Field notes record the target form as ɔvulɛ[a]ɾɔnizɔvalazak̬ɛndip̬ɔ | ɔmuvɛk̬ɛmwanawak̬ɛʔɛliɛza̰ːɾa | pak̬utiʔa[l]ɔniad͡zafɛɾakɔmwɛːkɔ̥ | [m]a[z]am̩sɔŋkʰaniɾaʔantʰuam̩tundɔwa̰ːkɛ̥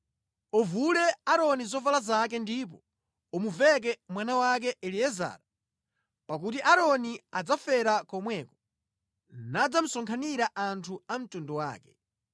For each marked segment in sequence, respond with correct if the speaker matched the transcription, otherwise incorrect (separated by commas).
correct, incorrect, incorrect, incorrect